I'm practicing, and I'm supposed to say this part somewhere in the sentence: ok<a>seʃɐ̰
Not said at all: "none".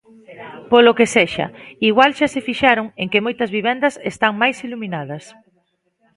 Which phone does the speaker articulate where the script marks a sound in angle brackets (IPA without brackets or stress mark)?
e